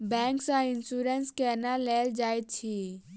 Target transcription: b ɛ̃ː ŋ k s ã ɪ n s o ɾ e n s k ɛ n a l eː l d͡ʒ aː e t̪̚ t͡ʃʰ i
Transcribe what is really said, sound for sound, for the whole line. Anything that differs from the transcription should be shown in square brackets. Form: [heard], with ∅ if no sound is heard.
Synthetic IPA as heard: b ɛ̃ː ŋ k s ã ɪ n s [u] ɾ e n s k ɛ n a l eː l d͡ʒ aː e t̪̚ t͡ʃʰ i